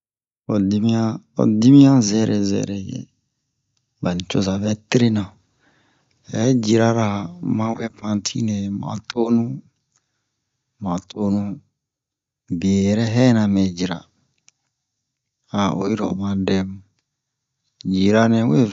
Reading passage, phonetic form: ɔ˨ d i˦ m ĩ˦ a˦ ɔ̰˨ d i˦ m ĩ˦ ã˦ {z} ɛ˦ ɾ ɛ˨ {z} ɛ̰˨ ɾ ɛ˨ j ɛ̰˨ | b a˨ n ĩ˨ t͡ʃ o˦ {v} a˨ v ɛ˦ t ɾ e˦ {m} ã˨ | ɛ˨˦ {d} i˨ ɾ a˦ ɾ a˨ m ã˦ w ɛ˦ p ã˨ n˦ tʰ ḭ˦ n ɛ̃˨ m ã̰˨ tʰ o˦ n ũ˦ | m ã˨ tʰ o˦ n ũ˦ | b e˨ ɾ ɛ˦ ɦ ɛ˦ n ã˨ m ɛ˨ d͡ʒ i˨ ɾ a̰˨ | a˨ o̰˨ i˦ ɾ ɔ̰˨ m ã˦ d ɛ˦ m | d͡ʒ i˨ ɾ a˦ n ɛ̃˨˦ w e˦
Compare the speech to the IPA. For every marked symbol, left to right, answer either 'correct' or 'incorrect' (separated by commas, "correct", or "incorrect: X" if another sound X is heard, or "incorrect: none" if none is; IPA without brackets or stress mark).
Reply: correct, correct, incorrect: z, incorrect: n, incorrect: d͡ʒ